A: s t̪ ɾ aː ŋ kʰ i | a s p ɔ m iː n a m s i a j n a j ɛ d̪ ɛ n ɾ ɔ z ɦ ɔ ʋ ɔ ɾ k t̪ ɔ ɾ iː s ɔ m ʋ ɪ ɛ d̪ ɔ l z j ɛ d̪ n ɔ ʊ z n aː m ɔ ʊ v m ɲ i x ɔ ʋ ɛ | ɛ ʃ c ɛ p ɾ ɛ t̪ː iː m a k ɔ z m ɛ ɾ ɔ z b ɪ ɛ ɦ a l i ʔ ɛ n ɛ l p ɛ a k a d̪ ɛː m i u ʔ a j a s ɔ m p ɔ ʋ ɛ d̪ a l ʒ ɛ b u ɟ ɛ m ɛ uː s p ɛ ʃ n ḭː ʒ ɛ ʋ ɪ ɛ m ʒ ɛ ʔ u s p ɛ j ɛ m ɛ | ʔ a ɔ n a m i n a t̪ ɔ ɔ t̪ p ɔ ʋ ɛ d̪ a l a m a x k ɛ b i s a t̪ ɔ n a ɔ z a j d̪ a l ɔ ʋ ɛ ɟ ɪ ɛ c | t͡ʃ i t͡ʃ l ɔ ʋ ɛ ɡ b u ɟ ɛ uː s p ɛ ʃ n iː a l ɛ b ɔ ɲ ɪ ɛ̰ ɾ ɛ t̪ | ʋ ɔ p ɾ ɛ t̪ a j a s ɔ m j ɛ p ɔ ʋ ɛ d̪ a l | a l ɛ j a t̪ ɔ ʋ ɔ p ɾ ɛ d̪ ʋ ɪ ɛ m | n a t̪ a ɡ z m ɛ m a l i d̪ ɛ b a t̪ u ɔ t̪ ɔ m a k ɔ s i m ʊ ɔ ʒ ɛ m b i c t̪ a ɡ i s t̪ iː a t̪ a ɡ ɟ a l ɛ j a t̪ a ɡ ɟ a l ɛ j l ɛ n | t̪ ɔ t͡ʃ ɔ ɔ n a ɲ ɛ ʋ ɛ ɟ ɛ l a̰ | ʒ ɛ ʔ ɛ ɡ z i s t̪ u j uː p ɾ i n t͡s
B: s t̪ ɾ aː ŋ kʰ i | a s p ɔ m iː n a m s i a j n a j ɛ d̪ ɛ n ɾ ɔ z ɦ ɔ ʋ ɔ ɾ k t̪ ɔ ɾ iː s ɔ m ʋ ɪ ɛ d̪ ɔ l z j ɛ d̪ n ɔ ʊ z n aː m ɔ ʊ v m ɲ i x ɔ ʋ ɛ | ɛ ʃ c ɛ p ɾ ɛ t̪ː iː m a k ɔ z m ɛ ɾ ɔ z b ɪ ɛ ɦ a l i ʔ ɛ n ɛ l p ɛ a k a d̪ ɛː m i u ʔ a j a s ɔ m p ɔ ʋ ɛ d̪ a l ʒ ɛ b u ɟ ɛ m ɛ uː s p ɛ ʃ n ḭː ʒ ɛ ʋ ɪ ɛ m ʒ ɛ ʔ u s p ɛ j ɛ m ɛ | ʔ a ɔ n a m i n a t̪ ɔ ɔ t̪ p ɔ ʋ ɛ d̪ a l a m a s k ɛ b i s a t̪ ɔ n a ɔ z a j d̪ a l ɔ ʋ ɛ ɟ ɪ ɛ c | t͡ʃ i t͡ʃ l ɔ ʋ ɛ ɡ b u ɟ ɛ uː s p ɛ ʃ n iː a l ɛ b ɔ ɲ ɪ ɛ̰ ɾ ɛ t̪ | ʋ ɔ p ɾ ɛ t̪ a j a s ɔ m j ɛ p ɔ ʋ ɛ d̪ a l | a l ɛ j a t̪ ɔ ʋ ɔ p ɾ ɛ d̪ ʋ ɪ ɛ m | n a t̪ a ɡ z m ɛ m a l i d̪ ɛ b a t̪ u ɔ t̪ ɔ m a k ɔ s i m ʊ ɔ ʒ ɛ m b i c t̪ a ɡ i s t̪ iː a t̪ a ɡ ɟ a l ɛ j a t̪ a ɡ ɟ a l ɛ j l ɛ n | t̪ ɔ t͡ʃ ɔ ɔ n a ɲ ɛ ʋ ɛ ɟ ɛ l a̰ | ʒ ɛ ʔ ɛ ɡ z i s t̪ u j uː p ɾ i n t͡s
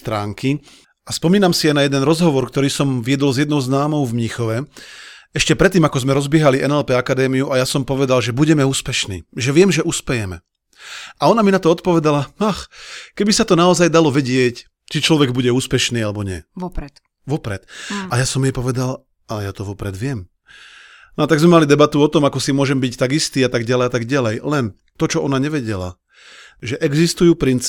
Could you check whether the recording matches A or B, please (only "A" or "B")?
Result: A